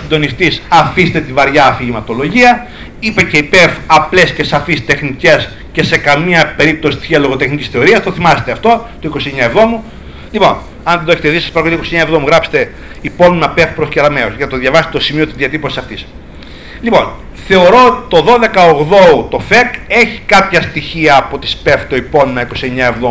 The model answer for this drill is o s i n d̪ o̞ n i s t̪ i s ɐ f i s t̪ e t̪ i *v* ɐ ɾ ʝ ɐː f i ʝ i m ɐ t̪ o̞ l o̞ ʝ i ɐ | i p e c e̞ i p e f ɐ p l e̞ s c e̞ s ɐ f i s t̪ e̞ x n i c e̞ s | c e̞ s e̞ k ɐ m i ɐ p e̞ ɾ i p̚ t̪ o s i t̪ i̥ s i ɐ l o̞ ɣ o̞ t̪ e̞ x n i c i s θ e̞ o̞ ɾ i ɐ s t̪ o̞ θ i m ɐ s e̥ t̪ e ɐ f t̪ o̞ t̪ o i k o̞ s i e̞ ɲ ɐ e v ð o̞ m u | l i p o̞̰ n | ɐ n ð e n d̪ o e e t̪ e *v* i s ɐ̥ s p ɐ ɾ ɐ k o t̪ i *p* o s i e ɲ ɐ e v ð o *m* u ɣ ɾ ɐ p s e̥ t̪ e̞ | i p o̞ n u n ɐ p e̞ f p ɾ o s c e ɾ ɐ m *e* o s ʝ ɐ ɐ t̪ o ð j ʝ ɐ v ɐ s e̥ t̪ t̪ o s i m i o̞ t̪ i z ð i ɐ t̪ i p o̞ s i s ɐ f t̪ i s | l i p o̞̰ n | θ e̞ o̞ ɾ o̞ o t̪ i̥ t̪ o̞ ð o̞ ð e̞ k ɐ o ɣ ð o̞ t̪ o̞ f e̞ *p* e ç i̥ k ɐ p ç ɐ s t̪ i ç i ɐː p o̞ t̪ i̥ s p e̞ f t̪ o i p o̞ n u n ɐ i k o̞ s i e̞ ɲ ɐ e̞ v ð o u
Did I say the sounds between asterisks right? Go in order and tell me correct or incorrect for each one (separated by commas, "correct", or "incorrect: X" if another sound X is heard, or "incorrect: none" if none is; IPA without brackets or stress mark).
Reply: correct, incorrect: ð, incorrect: k, correct, correct, incorrect: k